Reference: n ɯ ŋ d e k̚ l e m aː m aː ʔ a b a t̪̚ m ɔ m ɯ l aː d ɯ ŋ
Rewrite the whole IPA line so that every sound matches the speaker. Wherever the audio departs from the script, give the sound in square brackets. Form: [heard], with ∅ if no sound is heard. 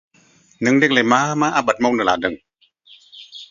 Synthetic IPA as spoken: n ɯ ŋ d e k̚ l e m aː m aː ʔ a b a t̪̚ m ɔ [n] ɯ l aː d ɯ ŋ